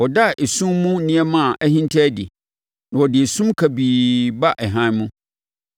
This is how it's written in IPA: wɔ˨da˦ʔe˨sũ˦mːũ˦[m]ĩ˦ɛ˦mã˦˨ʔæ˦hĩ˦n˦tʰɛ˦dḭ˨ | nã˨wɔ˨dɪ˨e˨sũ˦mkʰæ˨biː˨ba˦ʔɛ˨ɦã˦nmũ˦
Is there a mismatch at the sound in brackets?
yes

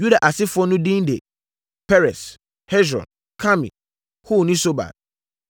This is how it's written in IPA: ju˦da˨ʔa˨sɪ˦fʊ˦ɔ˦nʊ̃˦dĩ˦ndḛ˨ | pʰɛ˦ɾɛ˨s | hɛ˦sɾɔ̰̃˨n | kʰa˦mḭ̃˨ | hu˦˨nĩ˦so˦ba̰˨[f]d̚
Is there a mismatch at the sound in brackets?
yes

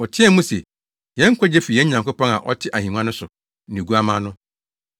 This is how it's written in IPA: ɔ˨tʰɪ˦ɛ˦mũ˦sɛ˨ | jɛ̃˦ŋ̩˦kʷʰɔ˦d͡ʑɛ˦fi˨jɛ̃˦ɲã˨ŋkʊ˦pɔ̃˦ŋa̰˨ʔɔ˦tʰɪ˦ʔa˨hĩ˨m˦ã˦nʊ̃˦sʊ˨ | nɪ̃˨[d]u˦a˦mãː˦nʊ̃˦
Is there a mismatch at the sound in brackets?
yes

